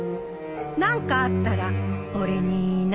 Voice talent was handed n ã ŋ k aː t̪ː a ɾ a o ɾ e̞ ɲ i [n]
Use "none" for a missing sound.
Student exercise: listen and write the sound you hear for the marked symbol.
n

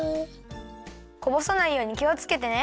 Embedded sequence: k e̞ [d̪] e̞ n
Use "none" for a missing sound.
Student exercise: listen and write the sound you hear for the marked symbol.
t̪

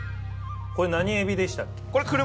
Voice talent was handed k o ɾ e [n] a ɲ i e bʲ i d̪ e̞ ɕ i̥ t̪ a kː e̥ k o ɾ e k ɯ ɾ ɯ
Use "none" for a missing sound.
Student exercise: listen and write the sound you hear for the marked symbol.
n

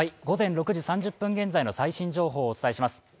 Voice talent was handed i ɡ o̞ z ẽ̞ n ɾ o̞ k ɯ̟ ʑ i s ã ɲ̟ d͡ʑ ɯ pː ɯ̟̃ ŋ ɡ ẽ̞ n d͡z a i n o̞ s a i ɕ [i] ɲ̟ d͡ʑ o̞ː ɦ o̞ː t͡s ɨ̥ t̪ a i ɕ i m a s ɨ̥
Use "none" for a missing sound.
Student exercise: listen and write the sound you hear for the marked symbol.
ĩ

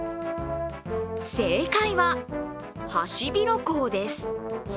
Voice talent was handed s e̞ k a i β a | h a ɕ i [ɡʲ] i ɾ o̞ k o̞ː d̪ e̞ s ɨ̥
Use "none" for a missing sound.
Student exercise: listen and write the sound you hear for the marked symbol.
bʲ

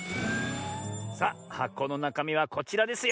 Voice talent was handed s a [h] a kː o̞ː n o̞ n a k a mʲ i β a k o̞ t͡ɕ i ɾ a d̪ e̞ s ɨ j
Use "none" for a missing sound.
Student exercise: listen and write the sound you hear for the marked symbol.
h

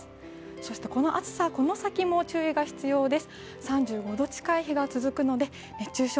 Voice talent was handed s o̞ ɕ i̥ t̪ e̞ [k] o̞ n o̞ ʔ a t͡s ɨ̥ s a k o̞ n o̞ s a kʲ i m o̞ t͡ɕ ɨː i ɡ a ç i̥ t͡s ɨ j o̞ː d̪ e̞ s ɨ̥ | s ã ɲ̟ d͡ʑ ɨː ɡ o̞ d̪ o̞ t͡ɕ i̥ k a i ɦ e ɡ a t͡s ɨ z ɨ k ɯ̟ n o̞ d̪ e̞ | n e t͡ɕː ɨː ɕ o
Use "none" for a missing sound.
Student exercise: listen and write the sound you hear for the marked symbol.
k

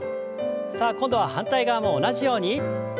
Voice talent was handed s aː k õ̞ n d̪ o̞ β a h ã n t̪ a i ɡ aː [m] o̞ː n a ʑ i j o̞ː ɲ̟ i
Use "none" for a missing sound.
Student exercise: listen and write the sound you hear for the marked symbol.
m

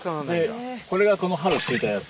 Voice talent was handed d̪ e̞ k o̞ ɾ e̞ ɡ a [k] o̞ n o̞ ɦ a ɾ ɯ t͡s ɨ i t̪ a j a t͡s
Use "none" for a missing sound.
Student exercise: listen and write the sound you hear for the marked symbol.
k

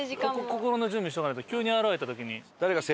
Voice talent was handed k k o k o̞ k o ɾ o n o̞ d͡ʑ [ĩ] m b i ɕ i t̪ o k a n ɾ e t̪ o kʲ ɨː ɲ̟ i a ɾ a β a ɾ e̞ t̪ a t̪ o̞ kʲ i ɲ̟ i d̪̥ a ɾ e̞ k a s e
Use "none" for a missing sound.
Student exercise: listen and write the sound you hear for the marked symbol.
ɨ̃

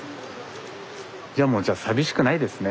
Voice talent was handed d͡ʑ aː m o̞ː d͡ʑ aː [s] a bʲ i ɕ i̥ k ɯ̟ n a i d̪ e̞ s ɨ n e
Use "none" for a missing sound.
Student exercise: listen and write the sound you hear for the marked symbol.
s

